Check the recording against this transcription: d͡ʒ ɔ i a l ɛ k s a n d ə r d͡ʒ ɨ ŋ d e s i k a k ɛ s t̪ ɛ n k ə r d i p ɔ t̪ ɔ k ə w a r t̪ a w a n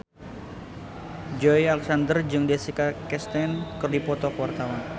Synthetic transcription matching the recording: d͡ʒ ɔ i a l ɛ k s a n d ə r d͡ʒ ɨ ŋ d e s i k a k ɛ s t̪ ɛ n k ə r d i p ɔ t̪ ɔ k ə w a r t̪ a w a n

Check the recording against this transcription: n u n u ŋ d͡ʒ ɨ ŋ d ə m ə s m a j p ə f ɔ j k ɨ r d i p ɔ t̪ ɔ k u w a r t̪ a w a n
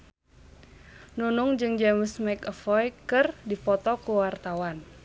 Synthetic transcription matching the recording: n u n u ŋ d͡ʒ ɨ ŋ d͡ʒ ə m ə s m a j k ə f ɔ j k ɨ r d i p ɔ t̪ ɔ k u w a r t̪ a w a n

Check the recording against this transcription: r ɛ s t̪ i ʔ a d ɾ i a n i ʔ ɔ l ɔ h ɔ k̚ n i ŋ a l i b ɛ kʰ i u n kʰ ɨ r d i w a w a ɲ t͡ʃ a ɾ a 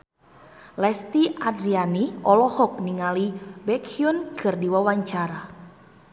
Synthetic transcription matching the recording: l ɛ s t̪ i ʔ a d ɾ i a n i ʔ ɔ l ɔ h ɔ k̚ n i ŋ a l i b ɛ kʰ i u n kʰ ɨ r d i w a w a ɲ t͡ʃ a ɾ a

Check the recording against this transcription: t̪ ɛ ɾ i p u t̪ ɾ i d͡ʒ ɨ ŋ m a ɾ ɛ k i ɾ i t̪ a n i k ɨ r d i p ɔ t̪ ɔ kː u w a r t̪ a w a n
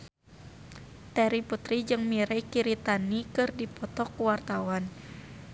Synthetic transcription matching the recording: t̪ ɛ ɾ i p u t̪ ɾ i d͡ʒ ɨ ŋ m i ɾ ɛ k i ɾ i t̪ a n i k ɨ r d i p ɔ t̪ ɔ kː u w a r t̪ a w a n

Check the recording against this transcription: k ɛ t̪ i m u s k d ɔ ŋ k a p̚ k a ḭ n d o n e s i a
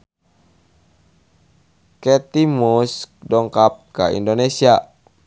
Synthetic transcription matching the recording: k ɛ t̪ i m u s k d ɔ ŋ k a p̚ k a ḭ n d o n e s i a

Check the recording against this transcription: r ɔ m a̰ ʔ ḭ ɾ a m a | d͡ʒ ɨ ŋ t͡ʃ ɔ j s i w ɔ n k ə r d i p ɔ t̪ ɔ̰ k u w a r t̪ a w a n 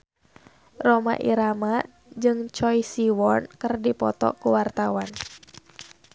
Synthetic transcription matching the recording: r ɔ m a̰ ʔ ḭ ɾ a m a | d͡ʒ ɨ ŋ t͡ʃ ɔ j s i w ɔ n k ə r d i p ɔ t̪ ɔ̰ k u w a r t̪ a w a n

